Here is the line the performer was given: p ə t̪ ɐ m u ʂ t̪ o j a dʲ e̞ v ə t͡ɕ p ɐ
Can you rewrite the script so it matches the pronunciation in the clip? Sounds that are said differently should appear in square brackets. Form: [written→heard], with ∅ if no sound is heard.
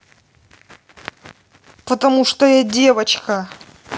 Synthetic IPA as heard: p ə t̪ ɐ m u ʂ t̪ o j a dʲ e̞ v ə t͡ɕ [p→k] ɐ